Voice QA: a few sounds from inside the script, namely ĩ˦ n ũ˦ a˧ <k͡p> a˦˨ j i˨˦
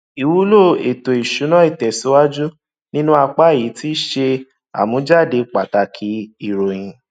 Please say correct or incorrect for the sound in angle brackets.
correct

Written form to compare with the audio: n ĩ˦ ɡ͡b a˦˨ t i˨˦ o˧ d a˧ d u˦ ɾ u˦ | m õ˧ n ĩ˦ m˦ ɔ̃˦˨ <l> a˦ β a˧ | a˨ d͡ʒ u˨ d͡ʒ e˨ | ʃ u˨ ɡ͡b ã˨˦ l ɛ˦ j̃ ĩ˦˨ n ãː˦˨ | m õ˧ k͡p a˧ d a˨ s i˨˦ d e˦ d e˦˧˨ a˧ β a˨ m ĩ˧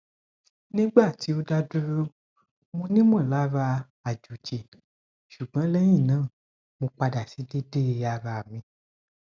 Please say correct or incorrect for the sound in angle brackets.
correct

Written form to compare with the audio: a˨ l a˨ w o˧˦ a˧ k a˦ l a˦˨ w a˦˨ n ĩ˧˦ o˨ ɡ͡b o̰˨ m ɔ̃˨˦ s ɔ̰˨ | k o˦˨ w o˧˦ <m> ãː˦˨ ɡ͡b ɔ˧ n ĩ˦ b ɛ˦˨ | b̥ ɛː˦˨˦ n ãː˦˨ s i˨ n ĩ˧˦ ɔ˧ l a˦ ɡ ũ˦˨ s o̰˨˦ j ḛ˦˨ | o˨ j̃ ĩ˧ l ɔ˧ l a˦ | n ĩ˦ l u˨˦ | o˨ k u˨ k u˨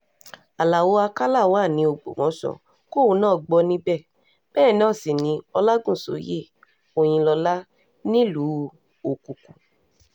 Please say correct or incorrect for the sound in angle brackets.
incorrect: n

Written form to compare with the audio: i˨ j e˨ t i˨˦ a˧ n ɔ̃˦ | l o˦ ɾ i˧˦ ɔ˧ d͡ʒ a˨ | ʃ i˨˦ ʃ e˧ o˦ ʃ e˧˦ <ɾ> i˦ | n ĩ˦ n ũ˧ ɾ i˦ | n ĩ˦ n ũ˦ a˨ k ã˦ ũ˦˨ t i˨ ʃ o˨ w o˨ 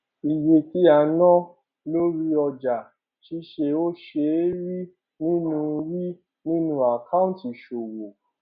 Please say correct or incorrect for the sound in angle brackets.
correct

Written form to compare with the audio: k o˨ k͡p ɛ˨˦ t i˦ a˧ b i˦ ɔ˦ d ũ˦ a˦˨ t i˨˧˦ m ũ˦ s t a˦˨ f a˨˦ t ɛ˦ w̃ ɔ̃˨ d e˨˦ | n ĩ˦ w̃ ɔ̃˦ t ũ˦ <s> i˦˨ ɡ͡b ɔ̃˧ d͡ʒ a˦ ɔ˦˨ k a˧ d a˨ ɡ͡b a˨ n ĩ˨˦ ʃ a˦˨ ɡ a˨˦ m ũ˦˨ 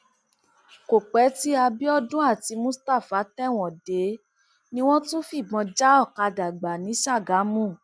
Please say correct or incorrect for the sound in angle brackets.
incorrect: f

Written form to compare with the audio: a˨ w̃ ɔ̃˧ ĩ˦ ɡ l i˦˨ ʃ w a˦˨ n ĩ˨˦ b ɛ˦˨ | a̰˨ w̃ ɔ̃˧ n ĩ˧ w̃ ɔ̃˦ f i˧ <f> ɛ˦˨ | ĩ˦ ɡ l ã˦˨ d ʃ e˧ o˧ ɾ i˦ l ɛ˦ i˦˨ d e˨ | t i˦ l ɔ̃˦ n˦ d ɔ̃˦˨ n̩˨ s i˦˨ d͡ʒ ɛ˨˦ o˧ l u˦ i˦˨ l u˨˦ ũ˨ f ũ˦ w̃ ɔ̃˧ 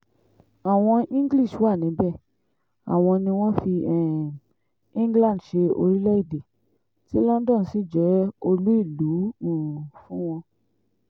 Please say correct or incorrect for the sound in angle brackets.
incorrect: none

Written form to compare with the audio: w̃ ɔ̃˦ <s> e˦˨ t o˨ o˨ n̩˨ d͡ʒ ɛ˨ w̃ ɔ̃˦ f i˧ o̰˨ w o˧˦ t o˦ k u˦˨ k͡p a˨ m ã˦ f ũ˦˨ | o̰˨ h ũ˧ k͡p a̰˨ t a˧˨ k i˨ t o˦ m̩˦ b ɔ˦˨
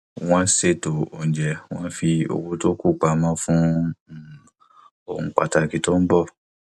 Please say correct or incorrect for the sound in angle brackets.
correct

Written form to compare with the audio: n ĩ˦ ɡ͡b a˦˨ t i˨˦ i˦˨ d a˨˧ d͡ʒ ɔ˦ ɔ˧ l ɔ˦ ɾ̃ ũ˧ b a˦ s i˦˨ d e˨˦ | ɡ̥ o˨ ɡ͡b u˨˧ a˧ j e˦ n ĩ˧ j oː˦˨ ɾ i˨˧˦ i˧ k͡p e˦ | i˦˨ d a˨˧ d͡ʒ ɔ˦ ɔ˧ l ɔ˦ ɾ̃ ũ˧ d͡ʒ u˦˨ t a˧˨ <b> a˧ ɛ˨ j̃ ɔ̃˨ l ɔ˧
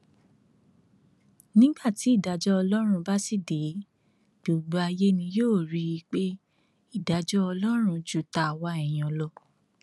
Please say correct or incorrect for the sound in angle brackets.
incorrect: w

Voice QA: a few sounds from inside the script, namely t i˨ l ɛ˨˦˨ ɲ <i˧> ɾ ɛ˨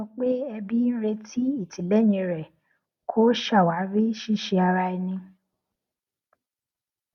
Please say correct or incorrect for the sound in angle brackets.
incorrect: ĩ˧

